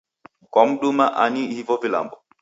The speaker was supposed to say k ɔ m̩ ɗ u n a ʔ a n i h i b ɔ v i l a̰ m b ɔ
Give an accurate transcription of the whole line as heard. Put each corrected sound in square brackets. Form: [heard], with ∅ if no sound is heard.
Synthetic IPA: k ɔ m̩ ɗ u [m] a ʔ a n i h i [v] ɔ v i l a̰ m b ɔ